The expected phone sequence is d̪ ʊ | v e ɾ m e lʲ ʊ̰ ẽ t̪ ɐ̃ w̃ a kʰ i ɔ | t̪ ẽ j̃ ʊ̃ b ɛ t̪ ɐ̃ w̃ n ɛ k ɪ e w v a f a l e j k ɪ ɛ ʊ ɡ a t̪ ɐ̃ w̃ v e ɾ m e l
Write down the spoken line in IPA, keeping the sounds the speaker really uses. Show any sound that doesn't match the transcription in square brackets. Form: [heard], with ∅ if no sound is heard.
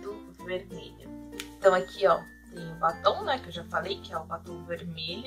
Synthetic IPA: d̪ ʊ | v e ɾ m e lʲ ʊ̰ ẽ t̪ ɐ̃ w̃ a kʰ i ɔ | t̪ ẽ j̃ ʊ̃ b [a] t̪ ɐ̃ w̃ n ɛ k ɪ e w [ʒ] a f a l e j k ɪ ɛ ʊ [b] a t̪ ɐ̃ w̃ v e ɾ m e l